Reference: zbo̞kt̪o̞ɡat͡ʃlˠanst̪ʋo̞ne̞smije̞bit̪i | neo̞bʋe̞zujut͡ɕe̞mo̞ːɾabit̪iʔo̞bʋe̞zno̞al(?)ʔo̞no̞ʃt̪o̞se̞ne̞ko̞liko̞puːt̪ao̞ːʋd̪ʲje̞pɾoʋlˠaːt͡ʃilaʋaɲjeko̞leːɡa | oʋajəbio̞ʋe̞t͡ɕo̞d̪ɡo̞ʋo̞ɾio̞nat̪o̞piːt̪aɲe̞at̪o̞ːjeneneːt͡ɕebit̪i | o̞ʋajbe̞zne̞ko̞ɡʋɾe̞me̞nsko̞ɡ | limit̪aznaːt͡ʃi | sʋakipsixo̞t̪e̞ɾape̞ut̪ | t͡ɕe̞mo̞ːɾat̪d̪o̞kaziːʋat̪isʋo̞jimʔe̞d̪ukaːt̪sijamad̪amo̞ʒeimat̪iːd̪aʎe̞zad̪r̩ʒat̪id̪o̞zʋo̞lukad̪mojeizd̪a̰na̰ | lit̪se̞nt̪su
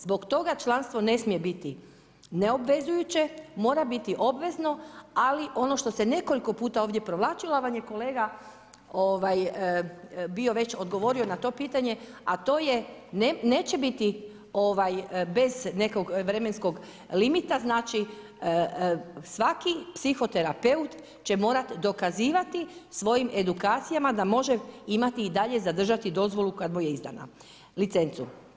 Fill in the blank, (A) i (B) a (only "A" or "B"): A